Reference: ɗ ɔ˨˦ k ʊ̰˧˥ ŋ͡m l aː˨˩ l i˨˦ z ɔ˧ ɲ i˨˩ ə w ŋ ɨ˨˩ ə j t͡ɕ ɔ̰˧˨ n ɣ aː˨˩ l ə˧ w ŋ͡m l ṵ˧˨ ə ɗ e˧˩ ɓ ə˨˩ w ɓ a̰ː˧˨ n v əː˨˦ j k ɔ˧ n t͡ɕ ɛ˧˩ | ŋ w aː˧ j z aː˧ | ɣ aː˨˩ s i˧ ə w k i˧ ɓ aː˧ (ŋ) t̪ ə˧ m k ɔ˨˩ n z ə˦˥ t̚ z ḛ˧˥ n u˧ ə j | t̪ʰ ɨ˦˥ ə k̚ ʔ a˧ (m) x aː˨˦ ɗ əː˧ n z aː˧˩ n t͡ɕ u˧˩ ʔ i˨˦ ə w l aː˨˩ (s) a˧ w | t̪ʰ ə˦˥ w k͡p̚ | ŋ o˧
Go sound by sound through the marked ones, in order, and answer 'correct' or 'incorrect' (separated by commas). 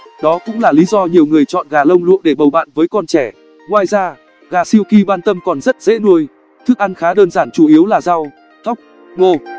incorrect, incorrect, incorrect